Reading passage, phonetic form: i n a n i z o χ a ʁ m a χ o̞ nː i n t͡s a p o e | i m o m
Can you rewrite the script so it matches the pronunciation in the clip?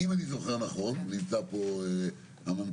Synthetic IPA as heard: i m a n i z o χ e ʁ n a χ o̞ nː i m t͡s a p o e | a m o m